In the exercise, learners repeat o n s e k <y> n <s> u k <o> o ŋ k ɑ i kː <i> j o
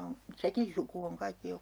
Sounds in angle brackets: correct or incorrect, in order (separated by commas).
incorrect, correct, incorrect, correct